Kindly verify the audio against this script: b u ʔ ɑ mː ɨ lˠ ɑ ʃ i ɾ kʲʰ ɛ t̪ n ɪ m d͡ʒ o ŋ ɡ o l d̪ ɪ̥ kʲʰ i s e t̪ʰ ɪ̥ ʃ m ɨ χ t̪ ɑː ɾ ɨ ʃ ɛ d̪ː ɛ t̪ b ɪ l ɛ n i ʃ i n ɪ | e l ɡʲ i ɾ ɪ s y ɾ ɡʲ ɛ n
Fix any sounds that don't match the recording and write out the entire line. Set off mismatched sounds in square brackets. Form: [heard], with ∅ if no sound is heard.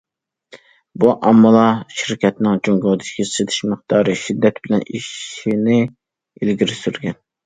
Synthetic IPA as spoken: b u ʔ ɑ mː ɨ lˠ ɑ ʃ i ɾ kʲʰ ɛ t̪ n ɪ [ŋ] d͡ʒ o ŋ ɡ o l d̪ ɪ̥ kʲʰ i s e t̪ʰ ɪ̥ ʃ m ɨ χ t̪ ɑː ɾ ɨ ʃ [i] d̪ː ɛ t̪ b ɪ l ɛ n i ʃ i n ɪ | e l ɡʲ i ɾ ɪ s y ɾ ɡʲ ɛ n